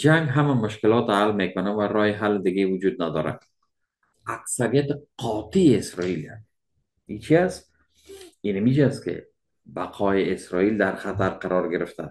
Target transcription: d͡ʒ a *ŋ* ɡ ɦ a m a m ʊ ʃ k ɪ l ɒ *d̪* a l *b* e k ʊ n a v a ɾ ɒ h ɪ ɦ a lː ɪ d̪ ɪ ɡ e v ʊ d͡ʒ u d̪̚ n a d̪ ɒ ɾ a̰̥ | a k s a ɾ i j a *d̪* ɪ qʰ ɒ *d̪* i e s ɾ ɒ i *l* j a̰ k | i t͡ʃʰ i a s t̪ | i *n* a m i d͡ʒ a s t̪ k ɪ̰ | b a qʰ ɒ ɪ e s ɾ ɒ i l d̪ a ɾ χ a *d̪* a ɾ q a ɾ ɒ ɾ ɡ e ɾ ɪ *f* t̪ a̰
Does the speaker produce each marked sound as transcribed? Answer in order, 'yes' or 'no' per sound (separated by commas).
yes, no, no, no, no, yes, yes, no, yes